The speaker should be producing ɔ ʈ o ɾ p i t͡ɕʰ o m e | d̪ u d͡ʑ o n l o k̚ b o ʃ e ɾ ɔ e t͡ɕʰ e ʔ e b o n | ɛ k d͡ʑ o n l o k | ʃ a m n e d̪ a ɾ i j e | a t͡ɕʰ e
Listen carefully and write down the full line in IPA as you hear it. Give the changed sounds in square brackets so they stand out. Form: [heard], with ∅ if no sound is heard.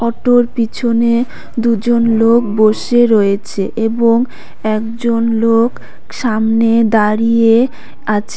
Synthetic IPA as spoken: ɔ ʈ o ɾ p i t͡ɕʰ o [n] e | d̪ u d͡ʑ o n l o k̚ b o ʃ e ɾ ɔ e t͡ɕʰ e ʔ e b o [ŋ] | ɛ k d͡ʑ o n l o k | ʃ a m n e d̪ a ɾ i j e | a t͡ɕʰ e